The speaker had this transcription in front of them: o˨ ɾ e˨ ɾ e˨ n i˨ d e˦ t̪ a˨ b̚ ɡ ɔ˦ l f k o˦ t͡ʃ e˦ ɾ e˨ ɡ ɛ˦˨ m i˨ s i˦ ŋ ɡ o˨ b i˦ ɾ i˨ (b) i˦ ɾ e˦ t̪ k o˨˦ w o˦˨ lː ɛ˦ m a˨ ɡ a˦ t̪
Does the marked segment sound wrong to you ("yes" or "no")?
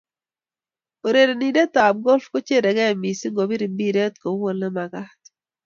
no